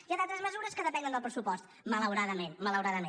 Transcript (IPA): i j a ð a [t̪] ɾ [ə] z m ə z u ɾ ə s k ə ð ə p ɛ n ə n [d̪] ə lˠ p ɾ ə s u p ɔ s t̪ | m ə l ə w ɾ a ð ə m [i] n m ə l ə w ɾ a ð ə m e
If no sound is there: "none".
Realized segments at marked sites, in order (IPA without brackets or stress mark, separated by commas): t̪, ə, d̪, e